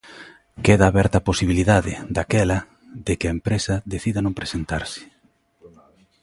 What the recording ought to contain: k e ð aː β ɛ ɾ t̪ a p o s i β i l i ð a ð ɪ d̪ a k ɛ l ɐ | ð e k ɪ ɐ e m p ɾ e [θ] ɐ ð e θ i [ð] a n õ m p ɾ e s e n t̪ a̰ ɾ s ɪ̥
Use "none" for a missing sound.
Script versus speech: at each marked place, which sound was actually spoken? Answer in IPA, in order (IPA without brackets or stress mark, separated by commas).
s, ð